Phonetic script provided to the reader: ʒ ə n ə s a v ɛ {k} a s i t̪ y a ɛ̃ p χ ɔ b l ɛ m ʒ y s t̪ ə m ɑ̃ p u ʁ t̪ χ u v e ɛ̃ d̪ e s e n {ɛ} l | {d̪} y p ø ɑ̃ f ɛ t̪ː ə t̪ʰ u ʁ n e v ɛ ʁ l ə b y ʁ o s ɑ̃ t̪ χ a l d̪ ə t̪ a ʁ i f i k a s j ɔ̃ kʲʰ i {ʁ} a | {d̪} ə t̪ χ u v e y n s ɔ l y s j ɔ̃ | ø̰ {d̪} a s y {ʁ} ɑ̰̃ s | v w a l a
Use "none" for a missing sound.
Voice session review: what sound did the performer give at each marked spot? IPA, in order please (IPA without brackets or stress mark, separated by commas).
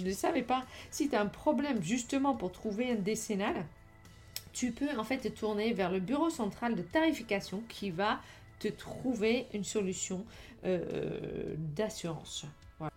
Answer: p, a, t̪, v, t̪, d̪, ʁ